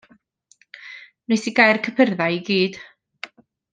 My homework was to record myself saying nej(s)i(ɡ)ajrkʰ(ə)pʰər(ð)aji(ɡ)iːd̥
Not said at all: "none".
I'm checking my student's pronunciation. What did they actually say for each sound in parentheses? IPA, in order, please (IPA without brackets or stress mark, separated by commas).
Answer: s, ɡ, ə, ð, ɡ